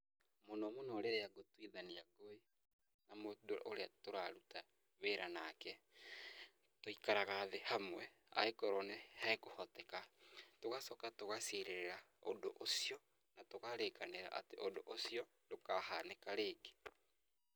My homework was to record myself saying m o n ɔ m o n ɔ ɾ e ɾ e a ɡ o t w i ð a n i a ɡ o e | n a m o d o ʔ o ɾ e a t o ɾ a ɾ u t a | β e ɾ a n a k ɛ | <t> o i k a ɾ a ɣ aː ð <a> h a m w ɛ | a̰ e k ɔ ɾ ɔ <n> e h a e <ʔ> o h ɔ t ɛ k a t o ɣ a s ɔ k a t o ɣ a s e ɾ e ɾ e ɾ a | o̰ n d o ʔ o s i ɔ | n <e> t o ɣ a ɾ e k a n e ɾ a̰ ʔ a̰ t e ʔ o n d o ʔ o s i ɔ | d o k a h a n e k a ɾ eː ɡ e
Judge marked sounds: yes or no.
yes, no, yes, no, no

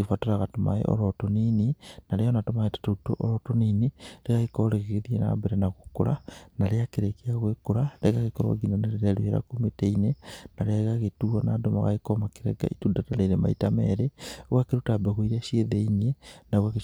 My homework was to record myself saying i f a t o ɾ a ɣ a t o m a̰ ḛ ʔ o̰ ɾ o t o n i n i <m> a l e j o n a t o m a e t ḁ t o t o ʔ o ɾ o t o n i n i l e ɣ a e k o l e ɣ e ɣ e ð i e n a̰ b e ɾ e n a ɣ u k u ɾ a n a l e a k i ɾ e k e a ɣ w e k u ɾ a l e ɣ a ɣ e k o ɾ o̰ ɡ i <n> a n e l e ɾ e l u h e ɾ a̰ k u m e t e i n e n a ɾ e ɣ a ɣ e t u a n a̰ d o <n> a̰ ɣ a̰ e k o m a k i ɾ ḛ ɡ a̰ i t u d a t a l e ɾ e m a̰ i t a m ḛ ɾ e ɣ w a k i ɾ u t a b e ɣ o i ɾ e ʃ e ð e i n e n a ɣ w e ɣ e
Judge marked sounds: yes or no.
no, yes, no

